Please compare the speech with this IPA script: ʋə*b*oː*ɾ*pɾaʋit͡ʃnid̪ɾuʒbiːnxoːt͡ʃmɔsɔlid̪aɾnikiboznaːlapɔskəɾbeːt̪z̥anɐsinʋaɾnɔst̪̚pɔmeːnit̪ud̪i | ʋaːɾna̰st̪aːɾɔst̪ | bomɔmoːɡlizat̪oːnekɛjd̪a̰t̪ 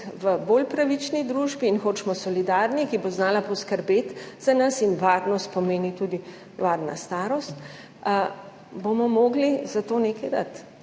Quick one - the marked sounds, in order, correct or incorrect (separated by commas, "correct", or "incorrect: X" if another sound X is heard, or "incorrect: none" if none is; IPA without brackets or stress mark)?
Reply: correct, incorrect: l